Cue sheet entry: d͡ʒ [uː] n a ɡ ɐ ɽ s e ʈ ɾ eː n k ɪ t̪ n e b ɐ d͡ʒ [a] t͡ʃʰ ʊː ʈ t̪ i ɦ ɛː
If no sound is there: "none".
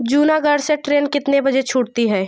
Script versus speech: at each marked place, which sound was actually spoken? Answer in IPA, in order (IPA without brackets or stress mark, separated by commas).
uː, e